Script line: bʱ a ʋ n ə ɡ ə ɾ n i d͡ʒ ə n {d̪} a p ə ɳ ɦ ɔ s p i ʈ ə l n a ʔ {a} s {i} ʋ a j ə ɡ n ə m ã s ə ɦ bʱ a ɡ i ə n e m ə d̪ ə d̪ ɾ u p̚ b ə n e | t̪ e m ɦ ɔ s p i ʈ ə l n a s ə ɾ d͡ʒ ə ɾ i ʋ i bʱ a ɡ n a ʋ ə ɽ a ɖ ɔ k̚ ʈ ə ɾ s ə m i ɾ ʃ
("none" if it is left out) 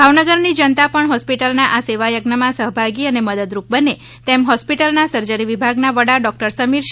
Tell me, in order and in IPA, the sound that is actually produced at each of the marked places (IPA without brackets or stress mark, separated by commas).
t̪, a, e